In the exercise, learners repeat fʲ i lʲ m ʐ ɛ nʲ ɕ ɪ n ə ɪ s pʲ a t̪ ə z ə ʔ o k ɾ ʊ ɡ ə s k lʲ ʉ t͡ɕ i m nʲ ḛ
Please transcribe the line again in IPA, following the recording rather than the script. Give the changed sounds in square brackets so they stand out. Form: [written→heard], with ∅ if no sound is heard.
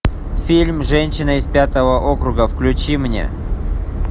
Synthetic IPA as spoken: fʲ i lʲ m ʐ ɛ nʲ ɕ ɪ n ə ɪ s pʲ a t̪ ə [z→v] ə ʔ o k ɾ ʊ ɡ ə [s→f] k lʲ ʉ t͡ɕ i m nʲ ḛ

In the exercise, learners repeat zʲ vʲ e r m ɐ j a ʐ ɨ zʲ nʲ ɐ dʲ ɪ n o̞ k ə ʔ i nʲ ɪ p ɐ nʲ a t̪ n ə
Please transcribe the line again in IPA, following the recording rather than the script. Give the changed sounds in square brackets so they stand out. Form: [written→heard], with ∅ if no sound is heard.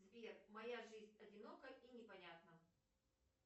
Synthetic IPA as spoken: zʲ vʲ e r m ɐ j a ʐ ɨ zʲ nʲ ɐ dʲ ɪ n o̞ k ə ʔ i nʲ ɪ p ɐ nʲ a t̪ n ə

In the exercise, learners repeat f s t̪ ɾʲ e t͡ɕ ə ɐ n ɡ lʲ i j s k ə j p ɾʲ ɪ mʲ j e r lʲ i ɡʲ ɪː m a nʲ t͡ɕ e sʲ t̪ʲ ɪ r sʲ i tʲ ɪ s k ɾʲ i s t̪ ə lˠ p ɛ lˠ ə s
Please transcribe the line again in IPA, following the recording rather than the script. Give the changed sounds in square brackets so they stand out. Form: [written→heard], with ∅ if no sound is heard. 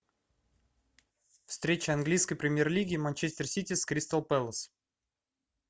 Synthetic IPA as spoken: f s t̪ ɾʲ e t͡ɕ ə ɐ n ɡ lʲ i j s k ə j p ɾʲ ɪ mʲ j e r lʲ i ɡʲ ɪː m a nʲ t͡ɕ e sʲ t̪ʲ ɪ r sʲ i tʲ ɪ s k ɾʲ i s t̪ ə lˠ p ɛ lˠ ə s

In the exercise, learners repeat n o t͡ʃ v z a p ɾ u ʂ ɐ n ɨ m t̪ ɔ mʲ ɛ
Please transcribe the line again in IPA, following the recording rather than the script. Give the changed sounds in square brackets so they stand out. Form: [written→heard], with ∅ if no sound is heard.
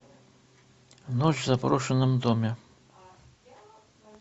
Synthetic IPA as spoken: n [o→ɔ] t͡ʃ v z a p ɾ [u→ɔ] ʂ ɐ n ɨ m [t̪→d̪] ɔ mʲ ɛ

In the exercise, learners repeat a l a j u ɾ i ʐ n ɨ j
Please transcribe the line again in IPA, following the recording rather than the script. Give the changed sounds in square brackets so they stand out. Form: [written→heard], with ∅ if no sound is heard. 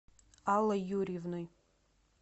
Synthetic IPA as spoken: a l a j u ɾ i [ʐ→v] n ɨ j

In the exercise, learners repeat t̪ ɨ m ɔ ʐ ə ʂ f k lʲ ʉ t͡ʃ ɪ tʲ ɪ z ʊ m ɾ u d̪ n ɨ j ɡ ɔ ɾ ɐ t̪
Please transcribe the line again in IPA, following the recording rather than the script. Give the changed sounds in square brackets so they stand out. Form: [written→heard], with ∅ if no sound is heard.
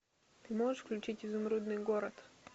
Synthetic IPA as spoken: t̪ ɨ m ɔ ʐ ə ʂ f k lʲ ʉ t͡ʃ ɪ tʲ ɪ z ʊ m ɾ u d̪ n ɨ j ɡ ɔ ɾ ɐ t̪

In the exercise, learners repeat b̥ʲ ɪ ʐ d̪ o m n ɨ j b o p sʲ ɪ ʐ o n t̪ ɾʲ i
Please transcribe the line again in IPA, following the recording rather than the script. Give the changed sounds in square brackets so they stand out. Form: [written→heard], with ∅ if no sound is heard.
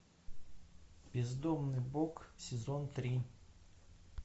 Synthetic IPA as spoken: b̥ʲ ɪ [ʐ→z] d̪ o m n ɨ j b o [p→k] sʲ ɪ [ʐ→z] o n t̪ ɾʲ i

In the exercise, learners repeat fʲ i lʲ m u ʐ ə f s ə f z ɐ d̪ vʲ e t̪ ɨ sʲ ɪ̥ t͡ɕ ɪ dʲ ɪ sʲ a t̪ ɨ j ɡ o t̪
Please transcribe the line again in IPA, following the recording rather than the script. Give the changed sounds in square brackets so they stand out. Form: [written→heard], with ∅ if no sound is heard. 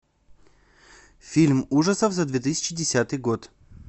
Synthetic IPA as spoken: fʲ i lʲ m u ʐ ə [f→∅] s ə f z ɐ d̪ vʲ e t̪ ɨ sʲ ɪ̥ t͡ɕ ɪ dʲ ɪ sʲ a t̪ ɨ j ɡ o t̪

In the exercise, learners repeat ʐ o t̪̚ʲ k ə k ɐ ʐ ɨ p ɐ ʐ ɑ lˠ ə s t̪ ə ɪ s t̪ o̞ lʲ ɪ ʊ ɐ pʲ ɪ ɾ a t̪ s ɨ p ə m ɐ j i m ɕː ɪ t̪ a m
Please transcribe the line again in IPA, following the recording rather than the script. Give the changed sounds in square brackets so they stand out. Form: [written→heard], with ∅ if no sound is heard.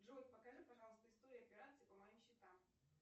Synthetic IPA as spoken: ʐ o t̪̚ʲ [k→p] ə k ɐ ʐ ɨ p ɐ ʐ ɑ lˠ ə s t̪ ə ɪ s t̪ o̞ [lʲ→ɾʲ] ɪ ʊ ɐ pʲ ɪ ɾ a t̪ s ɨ p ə m ɐ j i m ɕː ɪ t̪ a m

